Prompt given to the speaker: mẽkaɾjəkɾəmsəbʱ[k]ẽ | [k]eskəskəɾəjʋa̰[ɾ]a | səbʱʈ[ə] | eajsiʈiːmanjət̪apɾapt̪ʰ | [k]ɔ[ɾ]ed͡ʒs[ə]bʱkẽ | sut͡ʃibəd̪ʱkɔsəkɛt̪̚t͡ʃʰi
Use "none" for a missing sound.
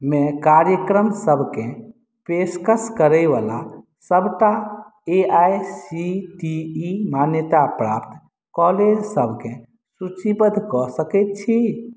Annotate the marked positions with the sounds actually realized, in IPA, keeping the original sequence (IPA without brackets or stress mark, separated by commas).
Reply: k, p, l, a, k, l, ə